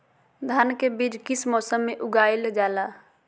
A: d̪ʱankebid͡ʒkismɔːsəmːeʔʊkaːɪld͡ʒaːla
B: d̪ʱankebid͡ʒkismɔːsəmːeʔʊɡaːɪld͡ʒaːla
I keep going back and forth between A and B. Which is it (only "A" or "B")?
B